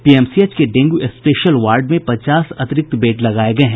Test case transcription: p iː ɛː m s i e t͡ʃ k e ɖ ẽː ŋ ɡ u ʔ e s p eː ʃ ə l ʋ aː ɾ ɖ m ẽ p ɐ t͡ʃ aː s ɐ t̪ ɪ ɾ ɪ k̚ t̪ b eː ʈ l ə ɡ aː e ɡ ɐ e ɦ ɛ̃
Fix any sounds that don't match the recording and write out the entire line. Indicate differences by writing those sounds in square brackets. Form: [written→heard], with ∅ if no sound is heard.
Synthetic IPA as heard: p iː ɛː m s i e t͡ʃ k e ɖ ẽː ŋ ɡ u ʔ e s p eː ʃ ə l ʋ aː ɾ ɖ m ẽ p ɐ t͡ʃ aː s ɐ t̪ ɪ ɾ ɪ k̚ t̪ b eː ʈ l [ə→ɐ] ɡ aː e ɡ ɐ e ɦ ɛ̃

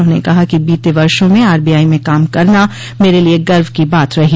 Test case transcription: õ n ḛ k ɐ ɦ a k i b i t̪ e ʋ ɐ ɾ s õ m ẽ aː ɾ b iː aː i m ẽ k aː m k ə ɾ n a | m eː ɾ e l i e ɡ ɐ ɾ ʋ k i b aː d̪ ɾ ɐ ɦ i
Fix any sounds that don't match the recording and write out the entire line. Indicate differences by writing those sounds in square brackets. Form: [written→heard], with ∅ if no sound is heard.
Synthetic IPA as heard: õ n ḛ k ɐ ɦ a k i b [i→iː] t̪ e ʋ ɐ ɾ [s→ʃ] õ m ẽ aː ɾ b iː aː i m ẽ k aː m k [ə→ɐ] ɾ n a | m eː ɾ e l i e ɡ ɐ ɾ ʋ k i b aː [d̪→t̪] ɾ ɐ ɦ i

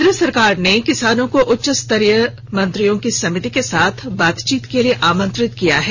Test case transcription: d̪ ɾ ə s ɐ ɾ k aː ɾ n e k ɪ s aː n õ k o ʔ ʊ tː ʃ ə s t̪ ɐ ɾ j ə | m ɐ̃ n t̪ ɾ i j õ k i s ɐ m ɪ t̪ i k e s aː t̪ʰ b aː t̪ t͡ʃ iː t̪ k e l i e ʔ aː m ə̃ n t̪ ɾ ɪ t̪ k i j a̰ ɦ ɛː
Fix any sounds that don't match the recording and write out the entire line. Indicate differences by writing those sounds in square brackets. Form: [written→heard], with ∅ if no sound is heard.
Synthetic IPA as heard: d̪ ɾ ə s ɐ ɾ k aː ɾ n e k ɪ s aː n õ k o ʔ ʊ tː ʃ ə s t̪ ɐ ɾ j ə | m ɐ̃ n t̪ ɾ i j õ k i s ɐ m ɪ t̪ i k e s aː t̪ʰ b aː t̪ t͡ʃ iː t̪ k e l i e ʔ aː m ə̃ n t̪ ɾ ɪ t̪ k i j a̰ ɦ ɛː

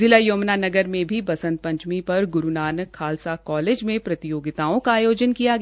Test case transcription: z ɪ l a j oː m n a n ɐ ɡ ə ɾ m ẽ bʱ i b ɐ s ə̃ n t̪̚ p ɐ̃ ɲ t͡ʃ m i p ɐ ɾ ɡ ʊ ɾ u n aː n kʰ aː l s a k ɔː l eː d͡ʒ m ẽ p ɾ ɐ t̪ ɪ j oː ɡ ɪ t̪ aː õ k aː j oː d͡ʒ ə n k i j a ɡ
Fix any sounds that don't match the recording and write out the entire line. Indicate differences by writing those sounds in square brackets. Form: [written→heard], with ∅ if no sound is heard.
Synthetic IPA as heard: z ɪ l a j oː m n a n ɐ ɡ ə ɾ m ẽ bʱ i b ɐ s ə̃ n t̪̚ p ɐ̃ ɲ t͡ʃ m i p ɐ ɾ ɡ ʊ ɾ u n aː n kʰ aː l s a k ɔː l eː d͡ʒ m ẽ p ɾ ɐ t̪ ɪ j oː ɡ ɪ t̪ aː õ k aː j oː d͡ʒ ə n k i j a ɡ

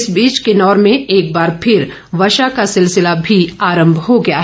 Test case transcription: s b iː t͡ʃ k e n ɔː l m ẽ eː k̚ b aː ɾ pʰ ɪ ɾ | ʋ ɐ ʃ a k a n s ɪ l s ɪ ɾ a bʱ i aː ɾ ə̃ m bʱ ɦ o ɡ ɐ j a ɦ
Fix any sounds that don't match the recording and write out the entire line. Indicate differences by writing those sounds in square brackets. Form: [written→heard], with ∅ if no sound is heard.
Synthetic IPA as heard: s b iː t͡ʃ k e n ɔː [l→ɾ] m ẽ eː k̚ b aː ɾ pʰ ɪ ɾ | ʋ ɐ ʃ a k a [n→∅] s ɪ l s ɪ [ɾ→l] a bʱ i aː ɾ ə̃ m bʱ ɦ o ɡ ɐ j a ɦ

